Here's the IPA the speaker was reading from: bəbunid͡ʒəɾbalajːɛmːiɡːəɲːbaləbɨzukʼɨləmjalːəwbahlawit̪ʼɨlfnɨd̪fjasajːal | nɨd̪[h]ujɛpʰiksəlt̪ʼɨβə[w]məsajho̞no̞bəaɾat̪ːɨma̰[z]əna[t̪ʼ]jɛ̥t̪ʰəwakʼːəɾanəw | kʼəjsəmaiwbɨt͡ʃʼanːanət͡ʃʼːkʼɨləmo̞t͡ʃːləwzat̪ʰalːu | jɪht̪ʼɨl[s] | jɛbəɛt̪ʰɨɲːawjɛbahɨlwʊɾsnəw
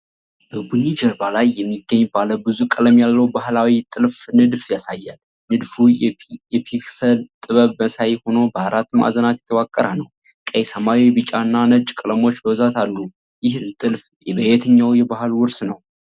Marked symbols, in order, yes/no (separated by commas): no, no, yes, no, no